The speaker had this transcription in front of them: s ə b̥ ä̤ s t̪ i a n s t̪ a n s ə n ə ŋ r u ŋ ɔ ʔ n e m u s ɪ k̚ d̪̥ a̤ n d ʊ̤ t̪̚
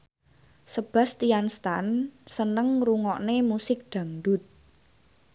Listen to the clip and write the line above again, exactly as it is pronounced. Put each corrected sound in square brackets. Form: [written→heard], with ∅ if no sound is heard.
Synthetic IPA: s ə b̥ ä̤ s t̪ i a n s t̪ a n s ə n ə ŋ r u ŋ ɔ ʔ n e m u s ɪ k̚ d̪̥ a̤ [n→ŋ] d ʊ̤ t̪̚